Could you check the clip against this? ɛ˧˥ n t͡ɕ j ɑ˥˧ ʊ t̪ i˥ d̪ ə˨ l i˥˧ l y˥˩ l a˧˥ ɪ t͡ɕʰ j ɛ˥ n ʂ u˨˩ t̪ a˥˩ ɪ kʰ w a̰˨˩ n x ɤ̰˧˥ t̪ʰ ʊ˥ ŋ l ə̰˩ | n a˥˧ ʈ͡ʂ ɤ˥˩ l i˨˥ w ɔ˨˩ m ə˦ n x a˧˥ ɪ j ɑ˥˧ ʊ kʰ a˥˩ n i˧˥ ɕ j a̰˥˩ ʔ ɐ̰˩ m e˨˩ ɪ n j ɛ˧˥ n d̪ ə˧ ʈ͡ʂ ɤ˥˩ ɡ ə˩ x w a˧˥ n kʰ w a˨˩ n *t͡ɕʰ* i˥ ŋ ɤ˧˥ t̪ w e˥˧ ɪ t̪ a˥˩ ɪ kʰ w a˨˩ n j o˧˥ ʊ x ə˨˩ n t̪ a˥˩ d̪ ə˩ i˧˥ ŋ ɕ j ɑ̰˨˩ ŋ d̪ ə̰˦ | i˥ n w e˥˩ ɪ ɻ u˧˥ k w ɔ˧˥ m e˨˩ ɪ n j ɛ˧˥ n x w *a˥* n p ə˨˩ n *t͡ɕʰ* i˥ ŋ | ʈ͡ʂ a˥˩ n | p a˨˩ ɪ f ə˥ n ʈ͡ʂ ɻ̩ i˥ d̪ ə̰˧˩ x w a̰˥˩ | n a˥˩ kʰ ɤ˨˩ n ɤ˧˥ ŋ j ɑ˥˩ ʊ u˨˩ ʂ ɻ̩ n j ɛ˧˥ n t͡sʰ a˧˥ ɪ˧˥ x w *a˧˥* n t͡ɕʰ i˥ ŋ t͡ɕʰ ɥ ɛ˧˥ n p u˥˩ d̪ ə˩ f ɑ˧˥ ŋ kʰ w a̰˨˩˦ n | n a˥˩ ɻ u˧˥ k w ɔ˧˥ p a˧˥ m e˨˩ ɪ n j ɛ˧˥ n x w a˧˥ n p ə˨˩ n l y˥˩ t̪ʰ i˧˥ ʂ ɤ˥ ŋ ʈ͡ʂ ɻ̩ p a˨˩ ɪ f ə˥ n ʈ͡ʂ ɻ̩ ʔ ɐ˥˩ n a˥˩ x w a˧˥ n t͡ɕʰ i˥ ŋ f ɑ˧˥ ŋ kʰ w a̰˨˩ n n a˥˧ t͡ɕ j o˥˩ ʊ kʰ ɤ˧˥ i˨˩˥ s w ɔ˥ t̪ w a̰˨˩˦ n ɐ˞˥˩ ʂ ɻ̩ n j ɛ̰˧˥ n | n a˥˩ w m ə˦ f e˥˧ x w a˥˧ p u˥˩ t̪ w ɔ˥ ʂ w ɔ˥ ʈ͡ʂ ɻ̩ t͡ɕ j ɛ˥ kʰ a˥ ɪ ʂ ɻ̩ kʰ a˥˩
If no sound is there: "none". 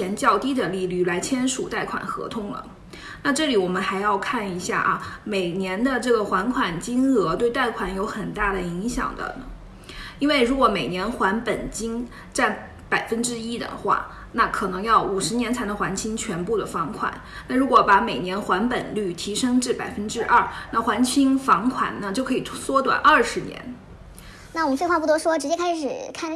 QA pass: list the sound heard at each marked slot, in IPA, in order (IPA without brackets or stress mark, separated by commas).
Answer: t͡ɕ, a˧˥, t͡ɕ, a˧˥